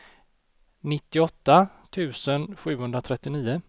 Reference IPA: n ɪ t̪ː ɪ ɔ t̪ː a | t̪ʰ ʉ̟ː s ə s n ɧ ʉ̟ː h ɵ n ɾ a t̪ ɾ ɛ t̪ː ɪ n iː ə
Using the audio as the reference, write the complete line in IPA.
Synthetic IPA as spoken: n ɪ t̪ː ɪ ɔ t̪ː a | t̪ʰ ʉ̟ː s ə n ɧ ʉ̟ː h ɵ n ɾ a t̪ʰ ɾ ɛ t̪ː ɪ n iː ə